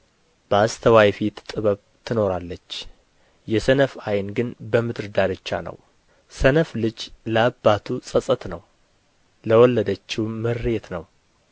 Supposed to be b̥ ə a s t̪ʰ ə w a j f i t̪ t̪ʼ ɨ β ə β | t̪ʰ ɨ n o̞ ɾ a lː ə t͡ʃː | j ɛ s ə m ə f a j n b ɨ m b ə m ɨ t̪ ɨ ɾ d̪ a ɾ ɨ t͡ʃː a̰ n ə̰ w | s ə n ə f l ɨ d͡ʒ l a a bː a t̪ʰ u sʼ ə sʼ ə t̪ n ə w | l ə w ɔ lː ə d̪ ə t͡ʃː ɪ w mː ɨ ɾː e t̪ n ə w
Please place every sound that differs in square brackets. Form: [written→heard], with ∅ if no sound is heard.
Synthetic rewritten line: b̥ ə a s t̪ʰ ə w a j f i t̪ t̪ʼ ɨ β ə β | t̪ʰ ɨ n o̞ ɾ a lː ə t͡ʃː | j ɛ s ə [m→n] ə f a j n [b→ɡ] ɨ [m→n] b ə m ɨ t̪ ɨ ɾ d̪ a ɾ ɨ t͡ʃː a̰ n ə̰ w | s ə n ə f l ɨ d͡ʒ l [a→ə] a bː a t̪ʰ u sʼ ə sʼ ə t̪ n ə w | l ə w ɔ lː ə d̪ ə t͡ʃː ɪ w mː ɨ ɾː e t̪ n ə w